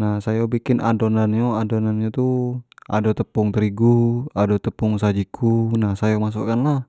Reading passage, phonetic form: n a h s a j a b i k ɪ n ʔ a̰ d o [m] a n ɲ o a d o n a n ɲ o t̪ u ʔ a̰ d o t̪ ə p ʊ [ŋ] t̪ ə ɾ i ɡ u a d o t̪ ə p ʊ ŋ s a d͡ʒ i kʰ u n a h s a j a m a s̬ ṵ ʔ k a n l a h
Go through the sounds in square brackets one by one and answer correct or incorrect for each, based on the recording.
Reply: incorrect: n, correct

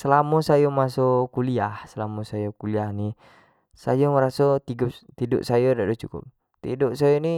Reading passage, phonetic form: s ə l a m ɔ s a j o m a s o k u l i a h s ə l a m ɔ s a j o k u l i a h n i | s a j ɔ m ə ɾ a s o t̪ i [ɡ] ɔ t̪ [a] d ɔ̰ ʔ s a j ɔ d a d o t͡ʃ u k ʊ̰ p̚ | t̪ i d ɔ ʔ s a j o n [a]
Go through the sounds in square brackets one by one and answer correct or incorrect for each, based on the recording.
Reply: correct, incorrect: i, incorrect: i

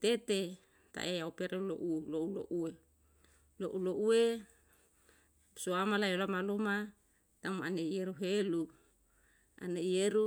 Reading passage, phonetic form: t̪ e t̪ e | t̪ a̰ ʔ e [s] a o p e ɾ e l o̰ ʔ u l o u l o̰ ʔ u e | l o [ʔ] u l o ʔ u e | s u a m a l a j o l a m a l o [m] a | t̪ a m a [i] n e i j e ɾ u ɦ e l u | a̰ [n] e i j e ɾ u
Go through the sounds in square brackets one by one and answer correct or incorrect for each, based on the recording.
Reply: incorrect: none, correct, correct, incorrect: a, correct

